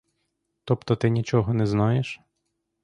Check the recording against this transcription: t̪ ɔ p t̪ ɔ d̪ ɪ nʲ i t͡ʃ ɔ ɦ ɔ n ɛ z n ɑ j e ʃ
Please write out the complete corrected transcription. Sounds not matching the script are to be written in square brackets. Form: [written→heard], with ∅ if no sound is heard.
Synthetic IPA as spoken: t̪ ɔ p t̪ ɔ [d̪→t̪] ɪ nʲ i t͡ʃ ɔ ɦ ɔ n ɛ z n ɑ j e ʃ